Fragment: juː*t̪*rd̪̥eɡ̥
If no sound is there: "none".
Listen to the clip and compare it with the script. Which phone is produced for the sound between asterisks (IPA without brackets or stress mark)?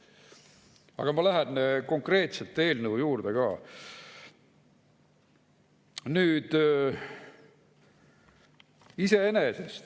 none